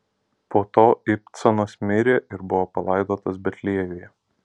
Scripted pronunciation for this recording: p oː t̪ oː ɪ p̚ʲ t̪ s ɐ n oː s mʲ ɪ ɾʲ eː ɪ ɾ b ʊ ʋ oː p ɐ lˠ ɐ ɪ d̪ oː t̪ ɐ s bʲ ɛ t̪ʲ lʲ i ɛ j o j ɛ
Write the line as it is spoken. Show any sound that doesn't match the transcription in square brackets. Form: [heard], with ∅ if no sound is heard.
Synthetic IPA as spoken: p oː t̪ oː ɪ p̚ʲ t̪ s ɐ n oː s mʲ ɪ ɾʲ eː ɪ ɾ b ʊ ʋ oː p ɐ lˠ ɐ ɪ d̪ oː t̪ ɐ s bʲ ɛ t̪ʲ lʲ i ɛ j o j ɛ

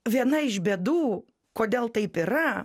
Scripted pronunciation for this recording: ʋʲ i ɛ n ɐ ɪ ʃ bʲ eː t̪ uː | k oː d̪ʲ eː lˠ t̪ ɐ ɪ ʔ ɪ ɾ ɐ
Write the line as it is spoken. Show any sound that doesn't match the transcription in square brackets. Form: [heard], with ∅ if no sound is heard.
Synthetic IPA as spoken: ʋʲ i ɛ n ɐ ɪ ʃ bʲ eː [d̪] uː | k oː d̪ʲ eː lˠ t̪ ɐ ɪ [p] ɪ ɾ ɐ

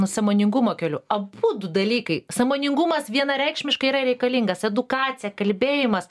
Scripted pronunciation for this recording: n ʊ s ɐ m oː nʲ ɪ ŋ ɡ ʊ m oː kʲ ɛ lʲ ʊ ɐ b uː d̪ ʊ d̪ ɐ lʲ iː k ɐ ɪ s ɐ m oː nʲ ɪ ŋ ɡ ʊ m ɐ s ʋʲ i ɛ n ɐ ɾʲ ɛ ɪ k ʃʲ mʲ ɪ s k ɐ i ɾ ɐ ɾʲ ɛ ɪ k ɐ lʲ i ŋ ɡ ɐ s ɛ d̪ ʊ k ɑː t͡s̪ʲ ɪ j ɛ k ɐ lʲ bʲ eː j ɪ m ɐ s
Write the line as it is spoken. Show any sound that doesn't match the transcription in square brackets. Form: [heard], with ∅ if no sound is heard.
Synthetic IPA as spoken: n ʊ s ɐ m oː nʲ ɪ ŋ ɡ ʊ m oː kʲ ɛ lʲ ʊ ɐ b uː d̪ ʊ d̪ ɐ lʲ iː k ɐ ɪ s ɐ m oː nʲ ɪ ŋ ɡ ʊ m ɐ s ʋʲ i ɛ n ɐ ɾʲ ɛ ɪ k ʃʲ mʲ ɪ [ʃ] k ɐ i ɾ ɐ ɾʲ ɛ ɪ k ɐ lʲ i ŋ ɡ ɐ s ɛ d̪ ʊ k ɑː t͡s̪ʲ ɪ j ɛ k ɐ lʲ bʲ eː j ɪ m ɐ s

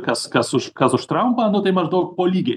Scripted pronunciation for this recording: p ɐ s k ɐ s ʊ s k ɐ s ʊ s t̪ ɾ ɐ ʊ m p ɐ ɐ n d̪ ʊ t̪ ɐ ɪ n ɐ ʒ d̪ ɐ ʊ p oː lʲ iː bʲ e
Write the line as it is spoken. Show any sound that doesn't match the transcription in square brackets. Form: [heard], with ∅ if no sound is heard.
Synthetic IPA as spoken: [k] ɐ s k ɐ s ʊ [ʃ] k ɐ s ʊ [ʃ] t̪ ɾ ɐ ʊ m p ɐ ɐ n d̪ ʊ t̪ ɐ ɪ [m] ɐ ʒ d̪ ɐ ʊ p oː lʲ iː [ɡʲ] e

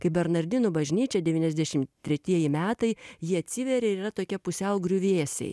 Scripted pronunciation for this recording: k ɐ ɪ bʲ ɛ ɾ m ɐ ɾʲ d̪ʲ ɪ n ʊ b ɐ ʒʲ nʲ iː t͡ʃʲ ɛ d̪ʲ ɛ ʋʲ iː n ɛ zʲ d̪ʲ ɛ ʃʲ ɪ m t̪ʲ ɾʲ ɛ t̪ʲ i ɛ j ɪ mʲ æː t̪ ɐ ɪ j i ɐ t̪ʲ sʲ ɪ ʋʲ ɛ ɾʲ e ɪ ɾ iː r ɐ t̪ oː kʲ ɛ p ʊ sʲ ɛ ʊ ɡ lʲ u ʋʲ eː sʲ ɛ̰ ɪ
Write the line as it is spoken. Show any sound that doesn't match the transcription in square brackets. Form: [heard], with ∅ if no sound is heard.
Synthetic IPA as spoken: k ɐ ɪ bʲ ɛ ɾ [n] ɐ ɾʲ d̪ʲ ɪ n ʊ b ɐ ʒʲ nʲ iː t͡ʃʲ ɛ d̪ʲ ɛ ʋʲ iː n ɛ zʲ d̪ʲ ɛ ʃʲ ɪ m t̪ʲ ɾʲ ɛ t̪ʲ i ɛ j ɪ mʲ æː t̪ ɐ ɪ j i ɐ t̪ʲ sʲ ɪ ʋʲ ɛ ɾʲ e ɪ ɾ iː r ɐ t̪ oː kʲ ɛ p ʊ sʲ ɛ ʊ ɡ [ɾʲ] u ʋʲ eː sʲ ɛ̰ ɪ

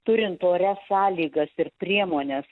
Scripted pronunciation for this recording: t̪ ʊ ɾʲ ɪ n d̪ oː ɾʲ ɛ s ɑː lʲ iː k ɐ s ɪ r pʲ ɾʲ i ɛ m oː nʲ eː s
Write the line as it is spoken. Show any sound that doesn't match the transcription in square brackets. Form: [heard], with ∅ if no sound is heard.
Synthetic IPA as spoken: t̪ ʊ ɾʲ ɪ n [t̪] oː ɾʲ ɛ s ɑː lʲ iː [ɡ] ɐ s ɪ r pʲ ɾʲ i ɛ m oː nʲ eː s

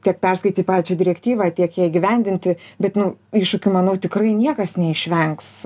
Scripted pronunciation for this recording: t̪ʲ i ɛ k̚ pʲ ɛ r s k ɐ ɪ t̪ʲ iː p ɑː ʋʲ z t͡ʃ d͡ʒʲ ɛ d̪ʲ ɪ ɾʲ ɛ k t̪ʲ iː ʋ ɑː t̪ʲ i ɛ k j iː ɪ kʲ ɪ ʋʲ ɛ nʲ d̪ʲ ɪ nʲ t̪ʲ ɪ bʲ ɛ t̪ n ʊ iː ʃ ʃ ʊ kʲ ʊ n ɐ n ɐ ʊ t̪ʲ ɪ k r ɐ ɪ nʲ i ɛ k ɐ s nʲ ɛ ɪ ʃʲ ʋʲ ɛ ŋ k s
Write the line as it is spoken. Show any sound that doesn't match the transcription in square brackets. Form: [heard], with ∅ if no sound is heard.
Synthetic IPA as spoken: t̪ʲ i ɛ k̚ pʲ ɛ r s k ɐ ɪ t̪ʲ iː p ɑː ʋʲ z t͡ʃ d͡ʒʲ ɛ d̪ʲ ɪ ɾʲ ɛ k t̪ʲ iː ʋ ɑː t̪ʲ i ɛ k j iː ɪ [ɡʲ] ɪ ʋʲ ɛ nʲ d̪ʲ ɪ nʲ t̪ʲ ɪ bʲ ɛ t̪ n ʊ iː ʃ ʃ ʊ kʲ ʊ [m] ɐ n ɐ ʊ t̪ʲ ɪ k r ɐ ɪ nʲ i ɛ k ɐ s nʲ ɛ ɪ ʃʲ ʋʲ ɛ ŋ k s

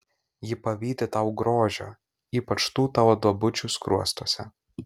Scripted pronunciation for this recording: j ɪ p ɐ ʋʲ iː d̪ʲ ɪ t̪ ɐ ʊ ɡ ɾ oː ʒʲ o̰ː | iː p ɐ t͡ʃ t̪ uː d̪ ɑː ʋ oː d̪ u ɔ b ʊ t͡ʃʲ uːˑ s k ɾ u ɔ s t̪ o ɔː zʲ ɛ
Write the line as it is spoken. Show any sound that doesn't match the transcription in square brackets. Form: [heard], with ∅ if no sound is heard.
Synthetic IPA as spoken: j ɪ p ɐ ʋʲ iː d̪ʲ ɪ t̪ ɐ ʊ ɡ ɾ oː ʒʲ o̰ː | iː p ɐ t͡ʃ t̪ uː [t̪] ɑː ʋ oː d̪ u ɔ b ʊ t͡ʃʲ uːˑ s k ɾ u ɔ s t̪ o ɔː [sʲ] ɛ

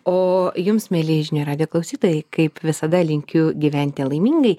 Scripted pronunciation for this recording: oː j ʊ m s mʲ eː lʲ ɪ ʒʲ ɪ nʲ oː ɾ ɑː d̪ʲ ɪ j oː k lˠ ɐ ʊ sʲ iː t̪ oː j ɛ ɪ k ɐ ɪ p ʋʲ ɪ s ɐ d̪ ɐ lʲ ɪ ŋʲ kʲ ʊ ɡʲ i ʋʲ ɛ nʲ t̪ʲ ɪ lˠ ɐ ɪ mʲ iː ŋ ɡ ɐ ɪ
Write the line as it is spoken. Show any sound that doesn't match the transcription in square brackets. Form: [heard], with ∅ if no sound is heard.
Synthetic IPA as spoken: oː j ʊ m s mʲ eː lʲ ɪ ʒʲ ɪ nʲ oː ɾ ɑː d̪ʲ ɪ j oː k lˠ ɐ ʊ sʲ iː t̪ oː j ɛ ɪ k ɐ ɪ p ʋʲ ɪ s ɐ d̪ ɐ lʲ ɪ ŋʲ kʲ ʊ ɡʲ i ʋʲ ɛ nʲ t̪ʲ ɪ lˠ ɐ ɪ mʲ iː ŋ ɡ ɐ ɪ

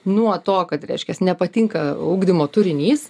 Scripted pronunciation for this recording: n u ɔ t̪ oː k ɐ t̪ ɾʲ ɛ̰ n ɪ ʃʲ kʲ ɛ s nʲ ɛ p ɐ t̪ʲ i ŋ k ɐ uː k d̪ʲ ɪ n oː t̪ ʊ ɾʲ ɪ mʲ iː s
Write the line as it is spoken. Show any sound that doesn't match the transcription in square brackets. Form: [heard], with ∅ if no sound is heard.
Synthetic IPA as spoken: n u ɔ t̪ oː k ɐ t̪ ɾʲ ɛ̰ [∅] ɪ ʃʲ kʲ ɛ s nʲ ɛ p ɐ t̪ʲ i ŋ k ɐ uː [ɡ] d̪ʲ ɪ [m] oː t̪ ʊ ɾʲ ɪ [nʲ] iː s

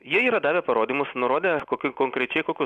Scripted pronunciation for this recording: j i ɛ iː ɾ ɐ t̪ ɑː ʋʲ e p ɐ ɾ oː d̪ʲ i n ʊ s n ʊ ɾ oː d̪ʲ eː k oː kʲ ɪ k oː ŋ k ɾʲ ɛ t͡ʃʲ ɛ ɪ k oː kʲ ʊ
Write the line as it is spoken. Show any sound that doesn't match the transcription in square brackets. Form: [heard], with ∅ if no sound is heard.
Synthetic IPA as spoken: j i ɛ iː ɾ ɐ [d̪] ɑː ʋʲ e p ɐ ɾ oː d̪ʲ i [m] ʊ s n ʊ ɾ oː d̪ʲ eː k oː kʲ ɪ k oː ŋ k ɾʲ ɛ t͡ʃʲ ɛ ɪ k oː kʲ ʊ

